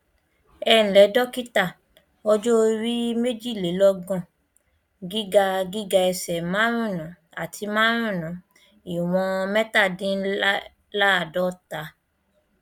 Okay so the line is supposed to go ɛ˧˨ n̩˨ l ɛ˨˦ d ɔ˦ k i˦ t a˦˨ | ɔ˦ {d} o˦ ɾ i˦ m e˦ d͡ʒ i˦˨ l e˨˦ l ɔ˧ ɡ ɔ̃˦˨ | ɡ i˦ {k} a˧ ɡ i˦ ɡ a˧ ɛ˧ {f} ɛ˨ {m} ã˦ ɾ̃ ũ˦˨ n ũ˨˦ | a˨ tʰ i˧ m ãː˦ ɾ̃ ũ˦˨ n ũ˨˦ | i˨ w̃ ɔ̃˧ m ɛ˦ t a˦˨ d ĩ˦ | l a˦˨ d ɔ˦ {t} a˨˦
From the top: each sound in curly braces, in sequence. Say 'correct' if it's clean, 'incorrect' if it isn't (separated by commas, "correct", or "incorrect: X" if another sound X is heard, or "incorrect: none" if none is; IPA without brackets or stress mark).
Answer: incorrect: d͡ʒ, incorrect: ɡ, incorrect: s, correct, correct